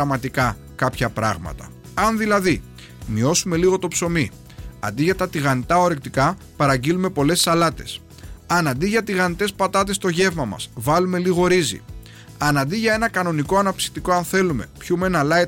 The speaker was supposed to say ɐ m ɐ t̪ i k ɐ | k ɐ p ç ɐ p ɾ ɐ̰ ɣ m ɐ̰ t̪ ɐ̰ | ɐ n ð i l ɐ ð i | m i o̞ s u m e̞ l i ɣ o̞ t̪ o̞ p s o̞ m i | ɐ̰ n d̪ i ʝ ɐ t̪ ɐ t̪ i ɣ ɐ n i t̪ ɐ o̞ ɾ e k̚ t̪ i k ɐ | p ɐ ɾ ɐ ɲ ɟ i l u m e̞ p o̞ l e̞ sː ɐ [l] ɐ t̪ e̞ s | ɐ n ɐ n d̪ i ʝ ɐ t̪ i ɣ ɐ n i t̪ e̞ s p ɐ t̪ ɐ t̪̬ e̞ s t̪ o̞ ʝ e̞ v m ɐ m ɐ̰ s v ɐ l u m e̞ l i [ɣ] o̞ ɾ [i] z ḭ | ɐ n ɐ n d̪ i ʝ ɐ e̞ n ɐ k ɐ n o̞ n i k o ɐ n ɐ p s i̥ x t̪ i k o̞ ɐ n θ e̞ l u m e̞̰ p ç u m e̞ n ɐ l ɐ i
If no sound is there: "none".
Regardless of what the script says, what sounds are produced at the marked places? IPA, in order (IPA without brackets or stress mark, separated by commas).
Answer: l, ɣ, i